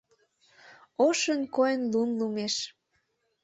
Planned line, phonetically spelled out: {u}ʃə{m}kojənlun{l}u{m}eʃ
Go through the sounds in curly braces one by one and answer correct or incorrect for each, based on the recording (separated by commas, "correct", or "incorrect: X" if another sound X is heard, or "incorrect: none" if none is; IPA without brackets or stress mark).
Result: incorrect: o, incorrect: n, correct, correct